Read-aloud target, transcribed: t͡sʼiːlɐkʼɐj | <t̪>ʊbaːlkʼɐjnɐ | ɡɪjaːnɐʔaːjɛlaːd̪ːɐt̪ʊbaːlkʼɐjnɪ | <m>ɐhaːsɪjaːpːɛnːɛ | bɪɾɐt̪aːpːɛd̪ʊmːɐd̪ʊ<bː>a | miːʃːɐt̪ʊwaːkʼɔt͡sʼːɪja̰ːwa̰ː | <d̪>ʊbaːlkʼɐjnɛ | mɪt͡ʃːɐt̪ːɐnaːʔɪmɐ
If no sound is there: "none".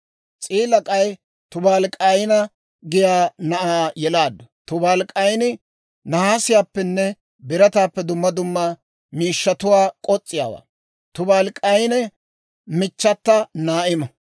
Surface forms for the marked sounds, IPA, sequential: t̪, n, mː, t̪

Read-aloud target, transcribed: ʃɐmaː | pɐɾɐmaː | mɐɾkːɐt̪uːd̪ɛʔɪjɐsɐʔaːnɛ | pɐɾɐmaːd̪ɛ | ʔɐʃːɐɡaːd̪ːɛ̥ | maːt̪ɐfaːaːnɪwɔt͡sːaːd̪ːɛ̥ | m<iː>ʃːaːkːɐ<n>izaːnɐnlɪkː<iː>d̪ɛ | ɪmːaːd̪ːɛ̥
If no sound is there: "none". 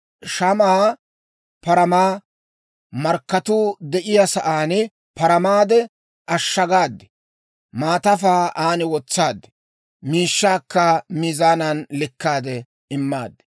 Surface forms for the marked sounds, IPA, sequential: iː, m, aː

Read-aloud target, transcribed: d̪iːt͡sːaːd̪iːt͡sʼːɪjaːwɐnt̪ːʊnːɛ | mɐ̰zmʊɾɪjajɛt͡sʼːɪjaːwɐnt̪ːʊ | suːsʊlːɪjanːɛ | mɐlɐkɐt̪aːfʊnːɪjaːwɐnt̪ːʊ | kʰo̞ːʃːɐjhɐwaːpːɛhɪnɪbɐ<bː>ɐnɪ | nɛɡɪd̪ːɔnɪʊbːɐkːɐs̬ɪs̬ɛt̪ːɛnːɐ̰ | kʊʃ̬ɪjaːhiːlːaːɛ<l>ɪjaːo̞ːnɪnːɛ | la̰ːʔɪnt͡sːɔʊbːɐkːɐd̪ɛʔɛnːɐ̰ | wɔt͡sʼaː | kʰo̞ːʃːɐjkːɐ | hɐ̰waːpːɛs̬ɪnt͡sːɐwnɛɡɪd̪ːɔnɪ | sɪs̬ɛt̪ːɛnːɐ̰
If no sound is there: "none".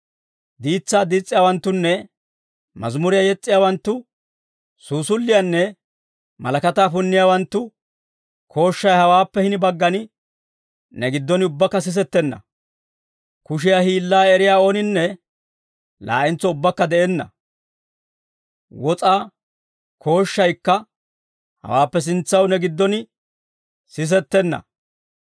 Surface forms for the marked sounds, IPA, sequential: ɡː, ɾ

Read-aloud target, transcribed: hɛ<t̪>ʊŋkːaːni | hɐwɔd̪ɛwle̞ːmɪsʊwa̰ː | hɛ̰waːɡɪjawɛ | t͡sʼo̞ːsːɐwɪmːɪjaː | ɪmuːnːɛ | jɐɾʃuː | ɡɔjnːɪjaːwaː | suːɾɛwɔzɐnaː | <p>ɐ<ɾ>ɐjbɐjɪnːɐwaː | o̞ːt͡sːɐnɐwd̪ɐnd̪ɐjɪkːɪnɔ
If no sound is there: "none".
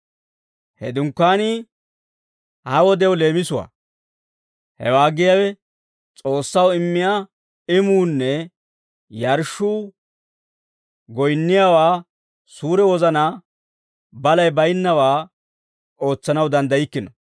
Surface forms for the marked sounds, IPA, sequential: d̪, b, l

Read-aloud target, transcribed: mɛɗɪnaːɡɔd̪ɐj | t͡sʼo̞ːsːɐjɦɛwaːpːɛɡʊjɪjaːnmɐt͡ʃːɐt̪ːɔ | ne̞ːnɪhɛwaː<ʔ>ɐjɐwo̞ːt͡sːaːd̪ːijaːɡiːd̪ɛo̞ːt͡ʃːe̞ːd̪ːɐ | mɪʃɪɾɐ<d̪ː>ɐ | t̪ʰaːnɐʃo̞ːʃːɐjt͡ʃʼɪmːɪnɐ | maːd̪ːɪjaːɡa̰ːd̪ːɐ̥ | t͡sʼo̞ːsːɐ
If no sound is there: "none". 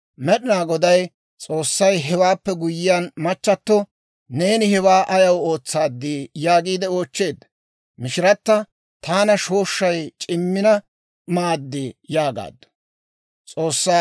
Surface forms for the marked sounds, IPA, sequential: ʔ, t̪ː

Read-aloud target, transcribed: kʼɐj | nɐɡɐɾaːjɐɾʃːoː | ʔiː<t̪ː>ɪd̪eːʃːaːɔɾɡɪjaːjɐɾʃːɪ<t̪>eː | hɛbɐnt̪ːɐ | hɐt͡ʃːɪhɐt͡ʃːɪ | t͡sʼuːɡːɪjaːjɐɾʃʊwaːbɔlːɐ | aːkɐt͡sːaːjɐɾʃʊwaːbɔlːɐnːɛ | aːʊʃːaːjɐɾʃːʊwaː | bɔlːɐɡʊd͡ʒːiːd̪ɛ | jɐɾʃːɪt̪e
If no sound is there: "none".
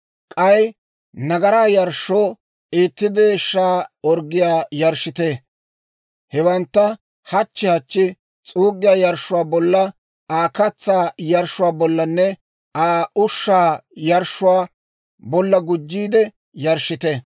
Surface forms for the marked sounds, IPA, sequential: t̪ː, t̪

